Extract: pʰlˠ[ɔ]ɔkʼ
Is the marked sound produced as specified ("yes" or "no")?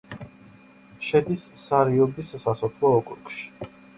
yes